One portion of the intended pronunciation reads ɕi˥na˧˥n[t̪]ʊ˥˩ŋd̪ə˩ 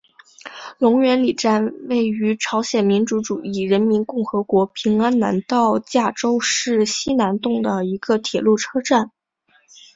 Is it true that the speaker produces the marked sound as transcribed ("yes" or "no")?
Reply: yes